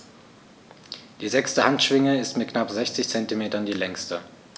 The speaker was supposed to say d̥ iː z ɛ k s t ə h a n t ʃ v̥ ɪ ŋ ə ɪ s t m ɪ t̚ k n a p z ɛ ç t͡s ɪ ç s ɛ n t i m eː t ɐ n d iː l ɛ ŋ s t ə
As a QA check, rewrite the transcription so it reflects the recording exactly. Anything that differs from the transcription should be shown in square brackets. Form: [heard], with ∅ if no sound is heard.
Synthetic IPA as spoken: d̥ iː z ɛ k s t ə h a n t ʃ v̥ ɪ ŋ ə ɪ s t m ɪ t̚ k n a p z ɛ ç t͡s ɪ ç [t͡s] ɛ n t i m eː t ɐ n d iː l ɛ ŋ s t ə